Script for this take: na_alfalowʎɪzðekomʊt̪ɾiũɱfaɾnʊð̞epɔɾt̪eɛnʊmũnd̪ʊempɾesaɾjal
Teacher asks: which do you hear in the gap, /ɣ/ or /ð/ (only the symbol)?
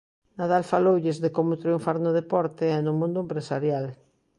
ð